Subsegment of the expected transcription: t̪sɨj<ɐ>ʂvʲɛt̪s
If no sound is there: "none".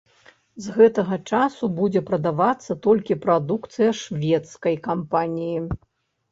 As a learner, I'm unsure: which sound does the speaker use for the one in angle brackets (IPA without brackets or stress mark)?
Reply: ɐ